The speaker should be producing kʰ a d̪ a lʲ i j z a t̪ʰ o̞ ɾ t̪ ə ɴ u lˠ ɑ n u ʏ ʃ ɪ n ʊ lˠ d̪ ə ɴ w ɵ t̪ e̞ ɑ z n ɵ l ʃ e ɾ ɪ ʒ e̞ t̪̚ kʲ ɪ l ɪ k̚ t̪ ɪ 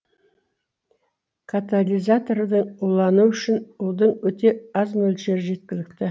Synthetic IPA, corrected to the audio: kʰ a t̪ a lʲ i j z a t̪ o̞ ɾ d̪ ə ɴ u lˠ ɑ n u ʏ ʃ ɪ n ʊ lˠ d̪ ə ɴ w ɵ t̪ e̞ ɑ z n ɵ l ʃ e ɾ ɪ ʒ e̞ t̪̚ kʲ ɪ l ɪ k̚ t̪ ɪ